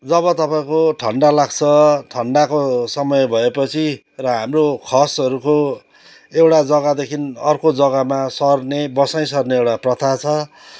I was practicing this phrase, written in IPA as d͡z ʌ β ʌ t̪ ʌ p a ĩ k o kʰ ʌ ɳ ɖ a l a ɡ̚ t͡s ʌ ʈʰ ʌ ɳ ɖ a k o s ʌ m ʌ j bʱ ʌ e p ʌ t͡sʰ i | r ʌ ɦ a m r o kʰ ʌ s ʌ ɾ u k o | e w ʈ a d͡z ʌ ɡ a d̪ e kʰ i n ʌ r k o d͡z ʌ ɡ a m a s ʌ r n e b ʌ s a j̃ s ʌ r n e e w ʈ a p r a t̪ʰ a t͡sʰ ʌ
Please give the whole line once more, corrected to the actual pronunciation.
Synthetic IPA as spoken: d͡z ʌ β ʌ t̪ ʌ p a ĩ k o ʈʰ ʌ ɳ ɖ a l a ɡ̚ t͡sʰ ʌ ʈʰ ʌ ɳ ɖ a k o s ʌ m ʌ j bʱ ʌ e p ʌ t͡sʰ i | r ʌ ɦ a m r o kʰ ʌ s ʌ ɾ u k o | e w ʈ a d͡z ʌ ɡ a d̪ e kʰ i n ʌ r k o d͡z ʌ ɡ a m a s ʌ r n e b ʌ s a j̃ s ʌ r n e e w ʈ a p r ʌ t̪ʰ a t͡sʰ ʌ

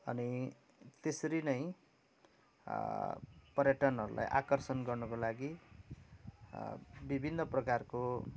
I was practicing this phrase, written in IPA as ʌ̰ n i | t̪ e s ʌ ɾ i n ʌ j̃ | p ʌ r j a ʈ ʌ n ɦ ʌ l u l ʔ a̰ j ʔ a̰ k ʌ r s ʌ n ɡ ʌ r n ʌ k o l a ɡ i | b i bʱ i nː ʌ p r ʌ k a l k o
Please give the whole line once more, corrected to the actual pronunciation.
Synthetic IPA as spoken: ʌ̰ n i | t̪ e s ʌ ɾ i n ʌ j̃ | p ʌ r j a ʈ ʌ n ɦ ʌ ɾ u l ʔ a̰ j ʔ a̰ k ʌ r s ʌ n ɡ ʌ r n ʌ k o l a ɡ i | b i bʱ i nː ʌ p r ʌ k a r k o

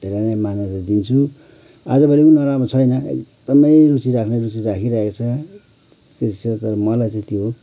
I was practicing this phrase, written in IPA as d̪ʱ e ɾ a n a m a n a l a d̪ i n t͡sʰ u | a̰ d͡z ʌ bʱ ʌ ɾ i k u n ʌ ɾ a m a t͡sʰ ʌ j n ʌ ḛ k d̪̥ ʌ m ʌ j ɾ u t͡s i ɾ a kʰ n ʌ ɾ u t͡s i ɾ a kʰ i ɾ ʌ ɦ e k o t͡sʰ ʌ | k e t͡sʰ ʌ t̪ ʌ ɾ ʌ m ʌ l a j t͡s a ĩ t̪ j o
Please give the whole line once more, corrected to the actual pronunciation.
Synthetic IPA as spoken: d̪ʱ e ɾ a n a m a n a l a d̪ i n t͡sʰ u | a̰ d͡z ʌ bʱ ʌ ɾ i k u n ʌ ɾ a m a t͡sʰ ʌ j n ʌ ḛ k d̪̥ ʌ m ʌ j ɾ u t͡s i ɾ a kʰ n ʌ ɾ u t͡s i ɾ a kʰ i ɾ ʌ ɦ e k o t͡sʰ ʌ | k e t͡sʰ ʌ t̪ ʌ ɾ ʌ m ʌ l a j t͡s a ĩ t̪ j o

